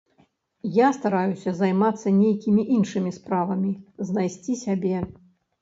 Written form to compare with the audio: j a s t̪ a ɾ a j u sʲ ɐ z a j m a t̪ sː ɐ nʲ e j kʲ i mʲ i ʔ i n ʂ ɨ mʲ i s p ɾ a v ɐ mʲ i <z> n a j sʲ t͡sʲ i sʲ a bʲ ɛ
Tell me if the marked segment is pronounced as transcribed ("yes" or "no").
yes